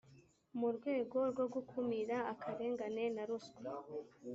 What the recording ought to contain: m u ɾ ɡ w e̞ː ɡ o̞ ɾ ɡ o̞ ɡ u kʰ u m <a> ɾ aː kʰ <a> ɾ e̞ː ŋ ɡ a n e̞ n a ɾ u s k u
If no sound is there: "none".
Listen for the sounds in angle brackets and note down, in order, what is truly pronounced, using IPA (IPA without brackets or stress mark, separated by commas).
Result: i, a